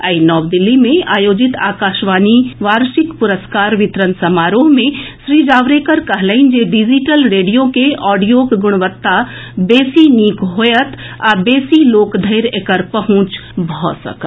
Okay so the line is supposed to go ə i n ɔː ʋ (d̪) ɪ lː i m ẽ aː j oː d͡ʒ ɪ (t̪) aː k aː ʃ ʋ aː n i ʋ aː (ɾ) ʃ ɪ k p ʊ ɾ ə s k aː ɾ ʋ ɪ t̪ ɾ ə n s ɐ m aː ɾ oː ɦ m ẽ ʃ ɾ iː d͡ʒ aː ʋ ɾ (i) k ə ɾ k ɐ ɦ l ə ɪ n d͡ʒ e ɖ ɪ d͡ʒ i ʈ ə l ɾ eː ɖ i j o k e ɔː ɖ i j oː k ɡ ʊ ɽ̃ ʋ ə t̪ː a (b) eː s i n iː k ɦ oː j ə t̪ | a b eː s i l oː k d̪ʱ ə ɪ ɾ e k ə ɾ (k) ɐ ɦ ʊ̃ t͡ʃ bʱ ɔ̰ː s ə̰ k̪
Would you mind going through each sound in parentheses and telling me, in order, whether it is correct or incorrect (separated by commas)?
correct, correct, correct, incorrect, correct, incorrect